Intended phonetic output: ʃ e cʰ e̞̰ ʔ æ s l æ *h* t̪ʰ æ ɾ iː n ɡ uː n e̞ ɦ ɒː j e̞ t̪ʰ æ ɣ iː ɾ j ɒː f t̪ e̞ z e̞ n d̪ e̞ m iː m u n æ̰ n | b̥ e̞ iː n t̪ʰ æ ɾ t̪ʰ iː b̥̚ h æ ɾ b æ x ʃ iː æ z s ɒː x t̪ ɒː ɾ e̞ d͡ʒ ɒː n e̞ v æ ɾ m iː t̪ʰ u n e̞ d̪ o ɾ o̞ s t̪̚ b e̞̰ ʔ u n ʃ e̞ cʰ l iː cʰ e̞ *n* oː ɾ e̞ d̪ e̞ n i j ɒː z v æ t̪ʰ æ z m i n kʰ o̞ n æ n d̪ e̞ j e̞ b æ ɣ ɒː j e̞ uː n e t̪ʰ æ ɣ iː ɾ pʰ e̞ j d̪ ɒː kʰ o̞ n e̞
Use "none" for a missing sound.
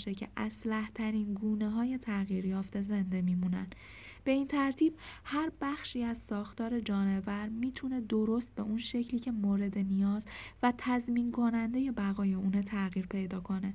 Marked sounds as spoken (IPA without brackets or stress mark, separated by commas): h, m